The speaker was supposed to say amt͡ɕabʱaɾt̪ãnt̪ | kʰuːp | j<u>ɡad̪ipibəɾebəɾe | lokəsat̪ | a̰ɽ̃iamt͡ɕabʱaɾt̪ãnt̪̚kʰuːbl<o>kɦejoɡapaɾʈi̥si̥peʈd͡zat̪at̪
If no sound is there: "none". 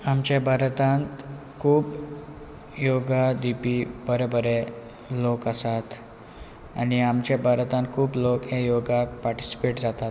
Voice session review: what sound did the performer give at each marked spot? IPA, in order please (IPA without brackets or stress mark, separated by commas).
o, o